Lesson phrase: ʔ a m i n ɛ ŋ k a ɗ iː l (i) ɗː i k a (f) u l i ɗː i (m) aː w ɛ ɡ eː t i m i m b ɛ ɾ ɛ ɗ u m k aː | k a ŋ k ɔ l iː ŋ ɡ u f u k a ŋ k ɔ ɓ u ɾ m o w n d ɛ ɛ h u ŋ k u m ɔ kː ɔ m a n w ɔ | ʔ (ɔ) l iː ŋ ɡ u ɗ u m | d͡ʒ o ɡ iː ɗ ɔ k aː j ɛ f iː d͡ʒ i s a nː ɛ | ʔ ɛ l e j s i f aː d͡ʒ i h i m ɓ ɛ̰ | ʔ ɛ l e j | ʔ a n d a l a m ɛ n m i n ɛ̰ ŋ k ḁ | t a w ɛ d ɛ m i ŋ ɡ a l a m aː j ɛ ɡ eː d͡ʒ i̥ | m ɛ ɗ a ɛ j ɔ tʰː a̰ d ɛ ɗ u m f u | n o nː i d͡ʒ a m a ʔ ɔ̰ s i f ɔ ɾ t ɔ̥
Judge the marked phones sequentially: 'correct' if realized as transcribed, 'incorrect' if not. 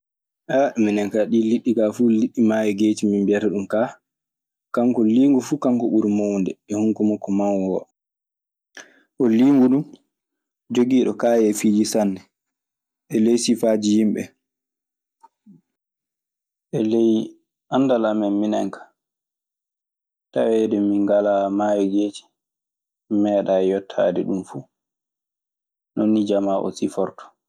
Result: correct, correct, correct, correct

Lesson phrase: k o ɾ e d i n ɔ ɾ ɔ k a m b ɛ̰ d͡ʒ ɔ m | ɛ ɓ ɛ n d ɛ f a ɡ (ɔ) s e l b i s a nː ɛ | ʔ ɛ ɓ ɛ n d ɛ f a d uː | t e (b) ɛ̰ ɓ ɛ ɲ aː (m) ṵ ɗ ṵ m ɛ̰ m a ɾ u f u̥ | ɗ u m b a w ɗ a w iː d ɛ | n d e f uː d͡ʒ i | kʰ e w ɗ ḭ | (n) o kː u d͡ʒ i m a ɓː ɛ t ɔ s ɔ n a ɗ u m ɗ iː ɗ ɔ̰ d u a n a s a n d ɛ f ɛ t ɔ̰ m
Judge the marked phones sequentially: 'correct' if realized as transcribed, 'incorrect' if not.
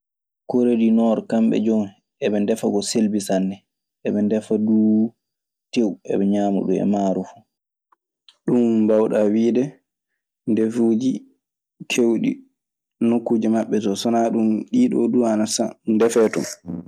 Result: correct, incorrect, correct, correct

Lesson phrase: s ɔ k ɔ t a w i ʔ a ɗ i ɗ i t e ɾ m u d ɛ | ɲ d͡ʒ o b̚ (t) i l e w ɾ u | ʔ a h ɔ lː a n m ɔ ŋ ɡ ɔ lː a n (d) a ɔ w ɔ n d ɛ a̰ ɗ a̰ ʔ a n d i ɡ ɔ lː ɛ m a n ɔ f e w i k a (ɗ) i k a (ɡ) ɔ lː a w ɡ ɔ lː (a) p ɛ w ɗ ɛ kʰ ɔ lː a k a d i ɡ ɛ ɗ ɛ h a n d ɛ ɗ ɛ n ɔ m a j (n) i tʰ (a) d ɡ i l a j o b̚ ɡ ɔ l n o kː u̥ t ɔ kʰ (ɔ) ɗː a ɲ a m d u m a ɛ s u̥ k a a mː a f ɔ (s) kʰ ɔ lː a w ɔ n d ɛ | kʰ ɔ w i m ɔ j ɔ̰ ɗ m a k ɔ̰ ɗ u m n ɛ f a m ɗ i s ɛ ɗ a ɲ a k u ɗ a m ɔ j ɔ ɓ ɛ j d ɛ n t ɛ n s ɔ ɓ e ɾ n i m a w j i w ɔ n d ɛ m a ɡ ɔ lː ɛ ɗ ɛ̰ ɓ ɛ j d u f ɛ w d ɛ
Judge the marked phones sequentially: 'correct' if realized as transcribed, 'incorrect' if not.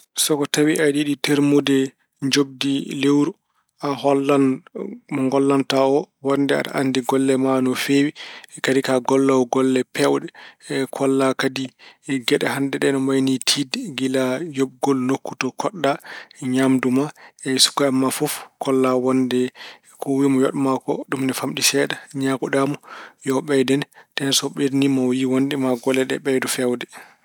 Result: incorrect, incorrect, incorrect, correct, incorrect, correct, incorrect, correct, incorrect

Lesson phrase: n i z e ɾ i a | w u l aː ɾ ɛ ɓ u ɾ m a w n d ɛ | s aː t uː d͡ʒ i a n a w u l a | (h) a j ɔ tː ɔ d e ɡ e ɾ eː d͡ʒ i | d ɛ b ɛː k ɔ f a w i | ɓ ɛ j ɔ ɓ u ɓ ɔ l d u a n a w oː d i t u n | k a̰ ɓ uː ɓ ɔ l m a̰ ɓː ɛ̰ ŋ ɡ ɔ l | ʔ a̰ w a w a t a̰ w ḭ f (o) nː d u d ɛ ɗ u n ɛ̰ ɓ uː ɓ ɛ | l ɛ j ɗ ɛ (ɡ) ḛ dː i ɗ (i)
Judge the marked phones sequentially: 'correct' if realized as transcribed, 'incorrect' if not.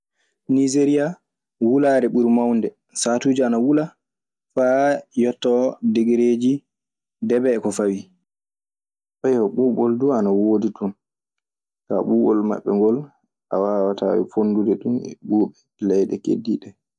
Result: incorrect, correct, incorrect, incorrect

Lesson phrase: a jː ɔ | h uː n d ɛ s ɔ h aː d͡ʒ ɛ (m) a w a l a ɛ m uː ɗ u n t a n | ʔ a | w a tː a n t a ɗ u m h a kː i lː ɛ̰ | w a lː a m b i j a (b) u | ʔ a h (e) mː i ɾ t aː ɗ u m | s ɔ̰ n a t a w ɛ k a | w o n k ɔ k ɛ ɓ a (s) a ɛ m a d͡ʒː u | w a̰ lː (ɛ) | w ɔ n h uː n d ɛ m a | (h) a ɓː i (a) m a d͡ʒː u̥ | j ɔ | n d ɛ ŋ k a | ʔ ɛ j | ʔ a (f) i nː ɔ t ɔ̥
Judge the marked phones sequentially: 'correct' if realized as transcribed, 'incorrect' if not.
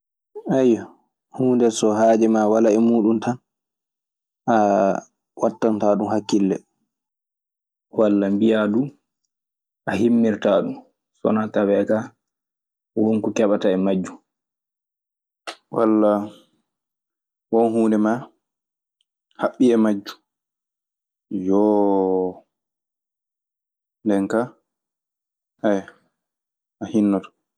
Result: correct, incorrect, incorrect, incorrect, incorrect, correct, incorrect, incorrect

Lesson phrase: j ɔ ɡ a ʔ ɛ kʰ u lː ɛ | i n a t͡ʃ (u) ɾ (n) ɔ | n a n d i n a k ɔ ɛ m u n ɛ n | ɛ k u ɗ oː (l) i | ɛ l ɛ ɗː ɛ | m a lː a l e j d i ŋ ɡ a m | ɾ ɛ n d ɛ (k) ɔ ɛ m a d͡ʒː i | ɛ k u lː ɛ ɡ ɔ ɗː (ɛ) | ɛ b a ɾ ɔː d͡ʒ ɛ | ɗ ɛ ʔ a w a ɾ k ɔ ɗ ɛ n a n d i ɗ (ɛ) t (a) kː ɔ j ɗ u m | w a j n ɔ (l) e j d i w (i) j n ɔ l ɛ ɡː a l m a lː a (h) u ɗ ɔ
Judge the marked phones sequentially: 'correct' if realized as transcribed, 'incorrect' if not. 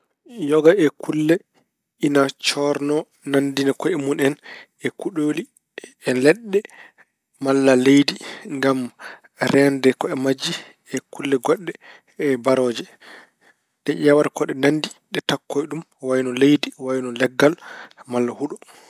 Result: incorrect, correct, correct, correct, correct, correct, correct, correct, incorrect, correct

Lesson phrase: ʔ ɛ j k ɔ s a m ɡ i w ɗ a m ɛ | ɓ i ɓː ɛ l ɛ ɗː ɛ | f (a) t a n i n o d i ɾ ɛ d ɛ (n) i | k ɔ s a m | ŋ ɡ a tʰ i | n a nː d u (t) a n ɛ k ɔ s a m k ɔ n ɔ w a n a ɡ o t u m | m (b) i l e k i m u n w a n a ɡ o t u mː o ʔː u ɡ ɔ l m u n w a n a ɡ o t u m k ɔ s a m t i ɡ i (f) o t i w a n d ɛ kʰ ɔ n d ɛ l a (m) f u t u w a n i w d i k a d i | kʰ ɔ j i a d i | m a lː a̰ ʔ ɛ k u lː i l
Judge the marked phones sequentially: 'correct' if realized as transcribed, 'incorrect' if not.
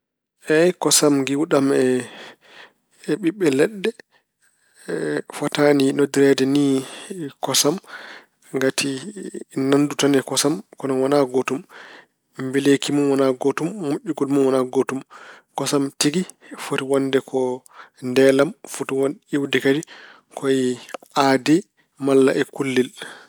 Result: correct, correct, correct, correct, correct, correct

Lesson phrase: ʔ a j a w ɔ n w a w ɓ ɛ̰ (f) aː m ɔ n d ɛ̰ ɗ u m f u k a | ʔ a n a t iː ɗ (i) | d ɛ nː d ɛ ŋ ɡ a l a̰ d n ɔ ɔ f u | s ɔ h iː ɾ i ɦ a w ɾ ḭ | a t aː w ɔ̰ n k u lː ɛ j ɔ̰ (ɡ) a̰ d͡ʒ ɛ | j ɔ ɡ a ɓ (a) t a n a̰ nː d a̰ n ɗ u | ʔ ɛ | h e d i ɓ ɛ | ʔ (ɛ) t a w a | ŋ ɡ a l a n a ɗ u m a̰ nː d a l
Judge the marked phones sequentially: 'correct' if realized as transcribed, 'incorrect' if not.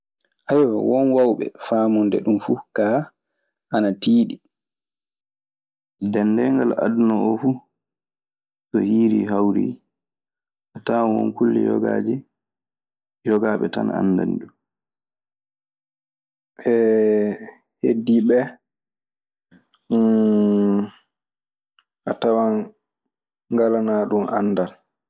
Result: correct, correct, correct, incorrect, incorrect

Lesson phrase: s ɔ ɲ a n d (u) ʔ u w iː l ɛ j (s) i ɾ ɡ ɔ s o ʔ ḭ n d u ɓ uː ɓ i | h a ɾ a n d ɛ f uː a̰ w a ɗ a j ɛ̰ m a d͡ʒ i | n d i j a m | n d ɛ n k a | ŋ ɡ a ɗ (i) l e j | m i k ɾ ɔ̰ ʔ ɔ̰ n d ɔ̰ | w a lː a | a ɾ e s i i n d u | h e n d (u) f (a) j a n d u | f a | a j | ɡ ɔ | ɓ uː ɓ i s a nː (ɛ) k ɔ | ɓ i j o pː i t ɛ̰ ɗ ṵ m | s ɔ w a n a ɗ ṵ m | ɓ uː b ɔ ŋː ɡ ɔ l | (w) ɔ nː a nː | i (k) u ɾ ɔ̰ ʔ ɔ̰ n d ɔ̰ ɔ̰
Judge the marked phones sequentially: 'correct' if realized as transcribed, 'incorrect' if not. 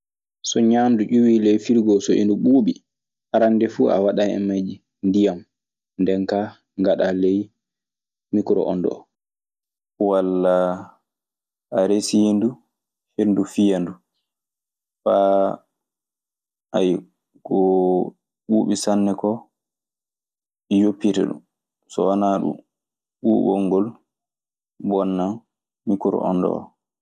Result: correct, incorrect, incorrect, correct, incorrect, correct, incorrect, correct

